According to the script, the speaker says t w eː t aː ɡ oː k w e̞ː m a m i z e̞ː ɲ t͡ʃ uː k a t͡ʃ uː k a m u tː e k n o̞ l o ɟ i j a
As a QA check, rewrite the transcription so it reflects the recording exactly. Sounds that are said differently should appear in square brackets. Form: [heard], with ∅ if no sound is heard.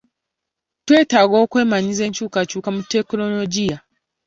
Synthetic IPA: t w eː t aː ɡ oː k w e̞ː m a [ɲ] i z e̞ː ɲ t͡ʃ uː k a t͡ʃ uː k a m u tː e k n o̞ l o ɟ i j a